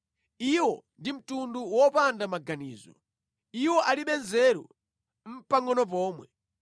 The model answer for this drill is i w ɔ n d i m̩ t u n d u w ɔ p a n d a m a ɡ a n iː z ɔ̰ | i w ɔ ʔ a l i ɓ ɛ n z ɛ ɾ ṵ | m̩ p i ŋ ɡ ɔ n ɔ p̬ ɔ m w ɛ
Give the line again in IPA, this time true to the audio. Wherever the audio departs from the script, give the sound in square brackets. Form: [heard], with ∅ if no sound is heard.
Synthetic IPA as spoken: i w ɔ n d i m̩ t u n d u w ɔ p a n d a m a ɡ a n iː z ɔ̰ | i w ɔ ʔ a l i ɓ ɛ n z ɛ ɾ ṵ | m̩ p [a] ŋ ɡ ɔ n ɔ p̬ [ɔː] m w ɛ

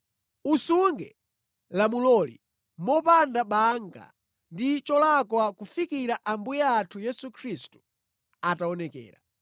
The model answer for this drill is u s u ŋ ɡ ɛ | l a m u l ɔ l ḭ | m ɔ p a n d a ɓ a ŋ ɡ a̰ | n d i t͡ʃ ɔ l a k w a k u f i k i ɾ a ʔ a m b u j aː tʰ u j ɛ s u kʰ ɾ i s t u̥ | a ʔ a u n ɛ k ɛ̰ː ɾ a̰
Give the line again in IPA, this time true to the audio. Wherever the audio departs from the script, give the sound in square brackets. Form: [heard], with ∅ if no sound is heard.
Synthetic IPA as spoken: u s u ŋ ɡ ɛ | l a m u l ɔ l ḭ | m ɔ p a n d a ɓ a ŋ ɡ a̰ | n d i t͡ʃ ɔ l a k w a k u f i k i ɾ a ʔ a m b u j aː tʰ u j ɛ s u kʰ ɾ i s t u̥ | a [t] a [ɔ] n ɛ k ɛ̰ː ɾ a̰

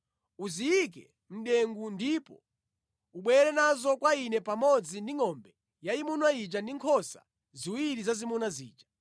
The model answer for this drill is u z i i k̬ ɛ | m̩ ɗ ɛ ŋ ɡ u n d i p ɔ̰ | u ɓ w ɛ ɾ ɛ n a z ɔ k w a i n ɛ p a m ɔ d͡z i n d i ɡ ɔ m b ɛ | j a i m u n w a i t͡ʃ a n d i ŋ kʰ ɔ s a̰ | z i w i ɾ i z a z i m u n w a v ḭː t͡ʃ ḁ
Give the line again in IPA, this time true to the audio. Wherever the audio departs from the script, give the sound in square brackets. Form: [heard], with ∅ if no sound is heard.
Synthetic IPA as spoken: u z i i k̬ ɛ | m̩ ɗ ɛ ŋ ɡ u n d i p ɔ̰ | u ɓ w ɛ ɾ ɛ n a z ɔ k w a i n ɛ p a m ɔ d͡z i n d i [ŋ] ɔ m b ɛ | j a i m u n w a i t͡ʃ a n d i ŋ kʰ ɔ s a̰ | z i w i ɾ i z a z i m u n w a [z] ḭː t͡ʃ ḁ

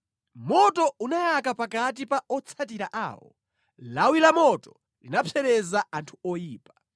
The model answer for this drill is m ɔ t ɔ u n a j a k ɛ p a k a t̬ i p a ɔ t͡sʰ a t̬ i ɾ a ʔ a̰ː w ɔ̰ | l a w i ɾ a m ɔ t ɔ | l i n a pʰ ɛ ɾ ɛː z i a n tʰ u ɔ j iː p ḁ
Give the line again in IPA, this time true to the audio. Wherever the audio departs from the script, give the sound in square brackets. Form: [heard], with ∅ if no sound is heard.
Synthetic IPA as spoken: m ɔ t ɔ u n a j a k [a] p a k a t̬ i p a ɔ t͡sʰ a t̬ i ɾ a ʔ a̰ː w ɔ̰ | l a w i [l] a m ɔ t ɔ | l i n a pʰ ɛ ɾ [ɛ] z [a] a n tʰ u ɔ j iː p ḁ

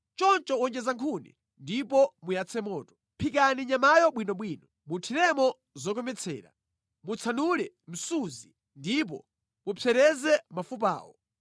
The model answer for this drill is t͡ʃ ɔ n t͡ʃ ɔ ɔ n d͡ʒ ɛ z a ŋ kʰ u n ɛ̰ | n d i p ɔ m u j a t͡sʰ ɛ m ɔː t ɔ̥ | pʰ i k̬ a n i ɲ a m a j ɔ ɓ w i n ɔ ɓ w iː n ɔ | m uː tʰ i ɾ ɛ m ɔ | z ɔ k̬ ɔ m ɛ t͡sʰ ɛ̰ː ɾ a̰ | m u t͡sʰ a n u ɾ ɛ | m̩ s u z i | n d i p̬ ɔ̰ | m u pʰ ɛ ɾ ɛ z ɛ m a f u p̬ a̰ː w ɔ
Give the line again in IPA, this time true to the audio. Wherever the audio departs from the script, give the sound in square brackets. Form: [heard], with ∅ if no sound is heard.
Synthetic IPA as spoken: t͡ʃ ɔ n t͡ʃ ɔ ɔ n d͡ʒ ɛ z a ŋ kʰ u n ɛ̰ | n d i p ɔ m u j a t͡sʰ ɛ m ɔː t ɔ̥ | pʰ i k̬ a n i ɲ a m a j ɔ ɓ w i n ɔ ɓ w iː n ɔ | m [u] tʰ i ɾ ɛ m ɔ | z ɔ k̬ ɔ m ɛ t͡sʰ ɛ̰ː ɾ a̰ | m u t͡sʰ a n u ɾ ɛ | m̩ s u z i | n d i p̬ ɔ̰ | m u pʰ ɛ ɾ ɛ z ɛ m a f u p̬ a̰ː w ɔ

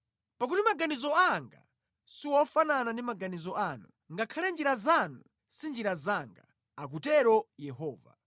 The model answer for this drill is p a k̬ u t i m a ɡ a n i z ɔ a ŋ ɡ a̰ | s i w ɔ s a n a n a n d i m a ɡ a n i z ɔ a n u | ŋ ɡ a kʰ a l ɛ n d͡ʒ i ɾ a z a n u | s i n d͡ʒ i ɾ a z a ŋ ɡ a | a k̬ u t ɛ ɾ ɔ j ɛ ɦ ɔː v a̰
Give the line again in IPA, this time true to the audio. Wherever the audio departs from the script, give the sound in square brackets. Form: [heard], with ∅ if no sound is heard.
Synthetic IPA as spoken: p a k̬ u t i m a ɡ a n i z ɔ a ŋ ɡ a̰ | s i w ɔ [f] a n a n a n d i m a ɡ a n i z ɔ a n u | ŋ ɡ a kʰ a l ɛ n d͡ʒ i ɾ a z a n u | s i n d͡ʒ i ɾ a z a ŋ ɡ a | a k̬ u t ɛ ɾ ɔ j ɛ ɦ ɔː v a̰

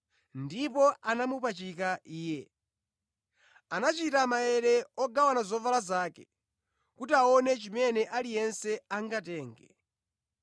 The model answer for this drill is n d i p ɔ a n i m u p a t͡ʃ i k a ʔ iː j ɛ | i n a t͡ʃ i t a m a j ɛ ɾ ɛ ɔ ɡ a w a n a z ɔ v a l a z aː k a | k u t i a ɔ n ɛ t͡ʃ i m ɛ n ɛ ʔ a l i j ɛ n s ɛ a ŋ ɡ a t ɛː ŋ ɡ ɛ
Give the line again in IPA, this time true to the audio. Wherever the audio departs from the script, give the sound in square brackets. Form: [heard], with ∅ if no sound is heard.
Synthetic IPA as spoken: n d i p ɔ a n [a] m u p a t͡ʃ i k a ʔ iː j ɛ | [a] n a t͡ʃ i t a m a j ɛ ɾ ɛ ɔ ɡ a w a n a z ɔ v a l a z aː k [ɛ] | k u t i a ɔ n ɛ t͡ʃ i m ɛ n ɛ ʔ a l i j ɛ n s ɛ a ŋ ɡ a t ɛː ŋ ɡ ɛ

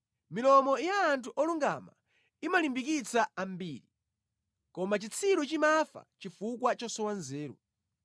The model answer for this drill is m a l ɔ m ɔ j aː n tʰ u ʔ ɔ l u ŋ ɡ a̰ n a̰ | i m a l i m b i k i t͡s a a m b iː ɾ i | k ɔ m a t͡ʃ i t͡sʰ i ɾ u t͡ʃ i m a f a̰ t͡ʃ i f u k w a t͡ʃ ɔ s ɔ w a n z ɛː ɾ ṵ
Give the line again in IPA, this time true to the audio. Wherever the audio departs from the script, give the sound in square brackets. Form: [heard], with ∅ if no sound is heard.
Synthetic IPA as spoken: m [i] l ɔ m ɔ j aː n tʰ u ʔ ɔ l u ŋ ɡ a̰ [m] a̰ | i m a l i m b i k i t͡s a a m b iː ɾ i | k ɔ m a t͡ʃ i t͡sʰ i ɾ u t͡ʃ i m a f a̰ t͡ʃ i f u k w a t͡ʃ ɔ s ɔ w a n z ɛː ɾ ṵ

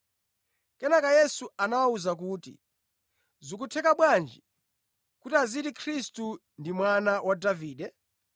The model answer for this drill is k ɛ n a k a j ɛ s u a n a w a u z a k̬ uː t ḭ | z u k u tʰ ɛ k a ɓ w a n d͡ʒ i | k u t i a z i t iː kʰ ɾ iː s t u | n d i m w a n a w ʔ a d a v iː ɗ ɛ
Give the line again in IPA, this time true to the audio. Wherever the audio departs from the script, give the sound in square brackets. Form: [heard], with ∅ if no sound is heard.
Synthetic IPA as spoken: k ɛ n a k a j ɛ s u a n a w a u z a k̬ uː t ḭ | z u k u tʰ ɛ k a ɓ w a n d͡ʒ i | k u t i a z i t [i] kʰ ɾ [i] s t u | n d i m w a n a w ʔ a d a v iː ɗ ɛ

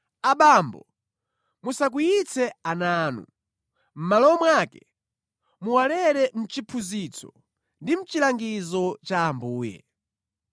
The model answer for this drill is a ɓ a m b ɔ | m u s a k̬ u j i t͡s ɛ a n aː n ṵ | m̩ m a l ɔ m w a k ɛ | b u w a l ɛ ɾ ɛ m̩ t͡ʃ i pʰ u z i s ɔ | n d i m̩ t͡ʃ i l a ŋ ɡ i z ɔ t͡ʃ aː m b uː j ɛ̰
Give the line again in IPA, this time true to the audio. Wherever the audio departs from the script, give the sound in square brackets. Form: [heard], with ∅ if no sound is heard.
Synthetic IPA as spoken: a ɓ a m b ɔ | m u s a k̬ u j i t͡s ɛ a n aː n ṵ | m̩ m a l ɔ m w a k ɛ | [m] u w a l ɛ ɾ ɛ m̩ t͡ʃ i pʰ u z i [t͡s] ɔ | n d i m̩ t͡ʃ i l a ŋ ɡ i z ɔ t͡ʃ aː m b uː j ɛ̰

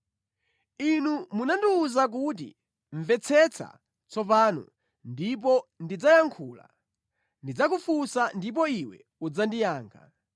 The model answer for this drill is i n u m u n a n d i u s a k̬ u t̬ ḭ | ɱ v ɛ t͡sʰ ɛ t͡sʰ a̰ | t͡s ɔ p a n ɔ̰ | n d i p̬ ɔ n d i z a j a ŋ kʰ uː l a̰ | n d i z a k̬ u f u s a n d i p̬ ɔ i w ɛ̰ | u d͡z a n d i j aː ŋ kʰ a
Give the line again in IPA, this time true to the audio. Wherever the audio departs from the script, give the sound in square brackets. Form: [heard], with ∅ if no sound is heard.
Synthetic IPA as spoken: i n u m u n a n d i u [z] a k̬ u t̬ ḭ | ɱ v ɛ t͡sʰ ɛ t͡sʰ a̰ | t͡s ɔ p a n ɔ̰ | n d i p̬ ɔ n d i [d͡z] a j a ŋ kʰ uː l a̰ | n d i [d͡z] a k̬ u f u s a n d i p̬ ɔ i w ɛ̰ | u d͡z a n d i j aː ŋ kʰ a

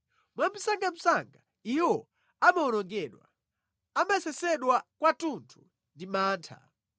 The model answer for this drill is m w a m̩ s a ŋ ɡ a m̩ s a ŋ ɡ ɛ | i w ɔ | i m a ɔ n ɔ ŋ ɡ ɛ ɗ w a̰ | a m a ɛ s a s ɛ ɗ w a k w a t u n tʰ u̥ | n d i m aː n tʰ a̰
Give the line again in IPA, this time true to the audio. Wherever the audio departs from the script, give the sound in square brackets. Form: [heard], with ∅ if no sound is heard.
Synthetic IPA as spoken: m w a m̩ s a ŋ ɡ a m̩ s a ŋ ɡ [a] | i w ɔ | [a] m a ɔ n ɔ ŋ ɡ ɛ ɗ w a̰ | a m a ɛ s [ɛ] s ɛ ɗ w a k w a t u n tʰ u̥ | n d i m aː n tʰ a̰

